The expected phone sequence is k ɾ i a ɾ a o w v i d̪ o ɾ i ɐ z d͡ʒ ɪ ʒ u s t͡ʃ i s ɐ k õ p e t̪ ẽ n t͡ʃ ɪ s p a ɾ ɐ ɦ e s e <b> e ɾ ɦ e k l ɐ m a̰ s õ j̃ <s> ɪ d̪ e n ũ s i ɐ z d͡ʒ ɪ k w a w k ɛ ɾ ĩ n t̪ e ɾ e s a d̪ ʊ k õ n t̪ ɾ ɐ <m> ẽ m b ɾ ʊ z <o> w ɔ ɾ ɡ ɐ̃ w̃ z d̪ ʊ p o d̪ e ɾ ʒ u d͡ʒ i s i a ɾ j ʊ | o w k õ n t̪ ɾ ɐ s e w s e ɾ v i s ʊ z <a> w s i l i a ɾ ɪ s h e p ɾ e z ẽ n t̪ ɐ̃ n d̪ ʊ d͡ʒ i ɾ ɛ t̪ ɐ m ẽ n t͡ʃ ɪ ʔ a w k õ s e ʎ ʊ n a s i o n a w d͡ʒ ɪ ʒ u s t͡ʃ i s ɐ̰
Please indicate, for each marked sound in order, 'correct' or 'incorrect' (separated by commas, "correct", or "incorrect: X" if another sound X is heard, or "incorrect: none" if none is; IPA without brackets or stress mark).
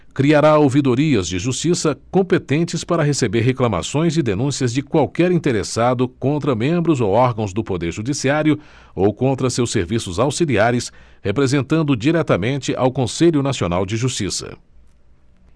correct, incorrect: z, correct, correct, correct